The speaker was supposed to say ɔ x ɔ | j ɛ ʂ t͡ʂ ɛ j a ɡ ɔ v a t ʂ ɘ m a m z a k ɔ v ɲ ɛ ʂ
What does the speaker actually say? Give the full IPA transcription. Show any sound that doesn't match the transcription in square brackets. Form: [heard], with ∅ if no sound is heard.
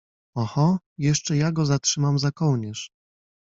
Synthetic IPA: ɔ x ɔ | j ɛ ʂ t͡ʂ ɛ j a ɡ ɔ [z] a t ʂ ɘ m a m z a k ɔ [w] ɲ ɛ ʂ